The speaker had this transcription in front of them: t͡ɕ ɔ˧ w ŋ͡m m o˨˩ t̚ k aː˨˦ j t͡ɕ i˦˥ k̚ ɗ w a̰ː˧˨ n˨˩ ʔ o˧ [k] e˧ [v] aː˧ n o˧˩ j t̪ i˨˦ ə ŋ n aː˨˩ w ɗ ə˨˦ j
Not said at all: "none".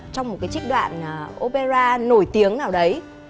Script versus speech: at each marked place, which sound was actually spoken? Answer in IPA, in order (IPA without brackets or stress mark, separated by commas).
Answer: p, z